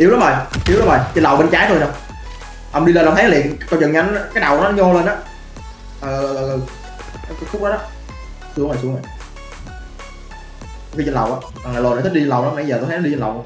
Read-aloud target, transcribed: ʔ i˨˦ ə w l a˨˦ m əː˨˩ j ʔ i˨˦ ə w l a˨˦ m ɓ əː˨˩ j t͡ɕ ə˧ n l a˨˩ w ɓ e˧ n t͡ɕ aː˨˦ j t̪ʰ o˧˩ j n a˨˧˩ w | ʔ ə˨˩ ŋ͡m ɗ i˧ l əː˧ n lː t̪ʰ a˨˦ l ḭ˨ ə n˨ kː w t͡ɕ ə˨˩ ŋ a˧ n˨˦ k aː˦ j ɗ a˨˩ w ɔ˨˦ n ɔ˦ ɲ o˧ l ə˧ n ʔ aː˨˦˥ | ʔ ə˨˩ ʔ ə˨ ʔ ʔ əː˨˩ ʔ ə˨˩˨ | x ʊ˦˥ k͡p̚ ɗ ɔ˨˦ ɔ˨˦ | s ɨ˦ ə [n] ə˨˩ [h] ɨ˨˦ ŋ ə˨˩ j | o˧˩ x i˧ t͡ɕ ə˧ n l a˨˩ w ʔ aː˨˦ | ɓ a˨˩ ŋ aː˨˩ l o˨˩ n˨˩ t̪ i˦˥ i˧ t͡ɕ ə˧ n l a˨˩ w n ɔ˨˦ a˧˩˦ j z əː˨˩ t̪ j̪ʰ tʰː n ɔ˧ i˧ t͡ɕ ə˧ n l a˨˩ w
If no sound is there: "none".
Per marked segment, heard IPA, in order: ŋ, s

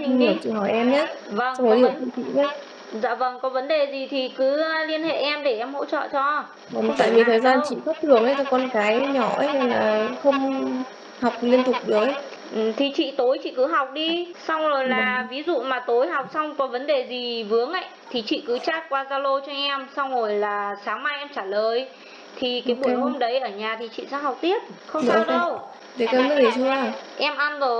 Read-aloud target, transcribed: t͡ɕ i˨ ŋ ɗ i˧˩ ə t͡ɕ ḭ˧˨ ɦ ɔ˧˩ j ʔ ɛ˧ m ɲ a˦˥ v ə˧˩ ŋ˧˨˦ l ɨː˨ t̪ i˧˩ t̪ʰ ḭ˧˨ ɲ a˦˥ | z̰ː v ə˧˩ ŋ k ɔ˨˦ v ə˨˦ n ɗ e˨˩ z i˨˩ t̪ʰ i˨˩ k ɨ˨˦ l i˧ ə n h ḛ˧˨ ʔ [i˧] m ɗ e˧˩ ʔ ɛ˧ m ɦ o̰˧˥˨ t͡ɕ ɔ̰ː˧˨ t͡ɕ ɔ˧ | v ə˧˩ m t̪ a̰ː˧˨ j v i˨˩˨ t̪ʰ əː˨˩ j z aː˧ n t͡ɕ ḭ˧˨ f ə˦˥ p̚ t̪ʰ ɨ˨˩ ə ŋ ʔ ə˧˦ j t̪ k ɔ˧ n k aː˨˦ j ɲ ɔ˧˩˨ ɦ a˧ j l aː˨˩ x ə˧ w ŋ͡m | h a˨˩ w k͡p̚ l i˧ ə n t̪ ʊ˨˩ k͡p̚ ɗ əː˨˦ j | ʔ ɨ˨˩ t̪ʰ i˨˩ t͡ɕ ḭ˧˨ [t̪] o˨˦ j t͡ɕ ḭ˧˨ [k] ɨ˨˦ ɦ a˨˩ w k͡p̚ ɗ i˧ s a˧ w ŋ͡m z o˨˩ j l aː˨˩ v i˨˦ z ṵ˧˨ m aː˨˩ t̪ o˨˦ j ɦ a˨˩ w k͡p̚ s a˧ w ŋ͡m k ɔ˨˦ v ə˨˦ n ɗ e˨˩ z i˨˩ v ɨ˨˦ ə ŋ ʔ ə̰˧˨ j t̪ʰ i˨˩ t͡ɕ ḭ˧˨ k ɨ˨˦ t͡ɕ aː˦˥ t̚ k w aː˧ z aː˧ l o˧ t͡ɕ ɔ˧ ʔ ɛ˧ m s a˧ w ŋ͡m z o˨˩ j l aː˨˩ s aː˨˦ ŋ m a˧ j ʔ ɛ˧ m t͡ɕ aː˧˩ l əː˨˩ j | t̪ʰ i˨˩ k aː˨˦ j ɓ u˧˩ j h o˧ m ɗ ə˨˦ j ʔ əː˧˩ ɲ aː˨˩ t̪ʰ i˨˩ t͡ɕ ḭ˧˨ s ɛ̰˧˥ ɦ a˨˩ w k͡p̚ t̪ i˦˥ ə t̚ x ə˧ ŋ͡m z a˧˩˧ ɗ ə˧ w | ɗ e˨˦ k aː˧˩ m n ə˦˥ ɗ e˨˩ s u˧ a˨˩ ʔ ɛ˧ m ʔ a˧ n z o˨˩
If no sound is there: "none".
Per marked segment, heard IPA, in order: ɛ˧, t̪, k

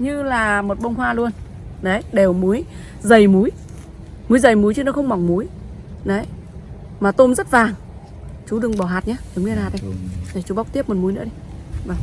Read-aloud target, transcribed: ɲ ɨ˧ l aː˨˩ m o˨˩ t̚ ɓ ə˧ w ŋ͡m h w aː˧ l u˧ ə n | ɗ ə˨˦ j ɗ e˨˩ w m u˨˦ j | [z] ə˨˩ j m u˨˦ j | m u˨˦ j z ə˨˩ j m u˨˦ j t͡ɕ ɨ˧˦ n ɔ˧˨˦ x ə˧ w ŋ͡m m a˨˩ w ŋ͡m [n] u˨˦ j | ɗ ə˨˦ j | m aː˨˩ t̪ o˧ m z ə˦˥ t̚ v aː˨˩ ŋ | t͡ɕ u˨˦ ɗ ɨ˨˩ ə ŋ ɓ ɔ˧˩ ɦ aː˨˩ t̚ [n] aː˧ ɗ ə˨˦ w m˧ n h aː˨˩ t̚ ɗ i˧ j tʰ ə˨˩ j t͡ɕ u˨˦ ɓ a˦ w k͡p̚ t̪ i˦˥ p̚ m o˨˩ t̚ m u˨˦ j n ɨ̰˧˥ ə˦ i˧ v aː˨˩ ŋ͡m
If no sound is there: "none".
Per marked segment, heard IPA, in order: z, m, ɲ

